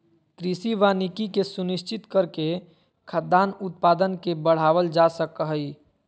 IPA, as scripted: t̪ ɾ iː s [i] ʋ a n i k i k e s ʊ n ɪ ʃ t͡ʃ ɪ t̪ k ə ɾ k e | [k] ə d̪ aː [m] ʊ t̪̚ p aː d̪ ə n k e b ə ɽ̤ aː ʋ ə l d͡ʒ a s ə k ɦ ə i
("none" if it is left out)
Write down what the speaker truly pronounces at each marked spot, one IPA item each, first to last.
i, kʰ, n

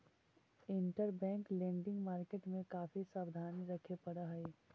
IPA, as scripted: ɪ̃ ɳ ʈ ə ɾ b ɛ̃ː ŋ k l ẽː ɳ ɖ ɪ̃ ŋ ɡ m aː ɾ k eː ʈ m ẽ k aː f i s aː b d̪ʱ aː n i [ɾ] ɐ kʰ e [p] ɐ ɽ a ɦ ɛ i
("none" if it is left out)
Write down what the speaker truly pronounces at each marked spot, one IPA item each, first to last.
ɾ, p

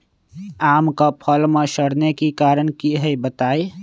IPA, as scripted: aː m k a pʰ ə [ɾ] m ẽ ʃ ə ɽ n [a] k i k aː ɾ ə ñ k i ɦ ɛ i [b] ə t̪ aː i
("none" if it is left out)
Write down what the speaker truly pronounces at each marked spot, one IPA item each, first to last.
l, e, b

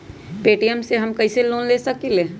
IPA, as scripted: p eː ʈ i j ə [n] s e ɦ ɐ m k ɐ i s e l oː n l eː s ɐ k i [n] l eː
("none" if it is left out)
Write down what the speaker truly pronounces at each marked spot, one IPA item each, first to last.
m, none

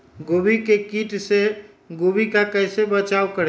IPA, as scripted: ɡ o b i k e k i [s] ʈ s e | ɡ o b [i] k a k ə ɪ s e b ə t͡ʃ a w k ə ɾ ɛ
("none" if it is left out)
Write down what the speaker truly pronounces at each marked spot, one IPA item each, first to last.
none, i

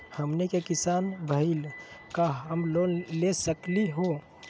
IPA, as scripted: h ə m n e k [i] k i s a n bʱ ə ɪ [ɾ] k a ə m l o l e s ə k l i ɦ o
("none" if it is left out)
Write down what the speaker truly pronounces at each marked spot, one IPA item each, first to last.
e, l

